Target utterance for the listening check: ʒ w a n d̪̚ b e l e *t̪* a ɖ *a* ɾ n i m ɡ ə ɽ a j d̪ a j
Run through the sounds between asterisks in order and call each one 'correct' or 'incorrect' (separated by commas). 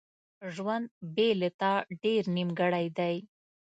correct, incorrect